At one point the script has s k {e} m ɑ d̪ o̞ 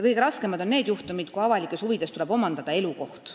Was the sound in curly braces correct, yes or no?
yes